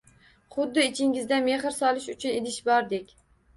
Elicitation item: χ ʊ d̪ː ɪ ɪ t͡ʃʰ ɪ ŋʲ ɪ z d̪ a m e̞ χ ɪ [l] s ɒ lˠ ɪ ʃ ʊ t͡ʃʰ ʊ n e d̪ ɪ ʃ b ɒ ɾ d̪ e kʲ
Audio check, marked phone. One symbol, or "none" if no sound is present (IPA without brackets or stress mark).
ɾ